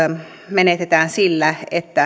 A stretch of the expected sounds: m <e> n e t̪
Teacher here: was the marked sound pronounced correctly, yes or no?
yes